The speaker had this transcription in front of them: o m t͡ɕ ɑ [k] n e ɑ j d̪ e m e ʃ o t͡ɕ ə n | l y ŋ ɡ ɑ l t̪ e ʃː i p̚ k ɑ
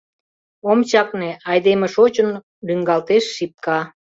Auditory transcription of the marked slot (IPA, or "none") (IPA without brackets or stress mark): k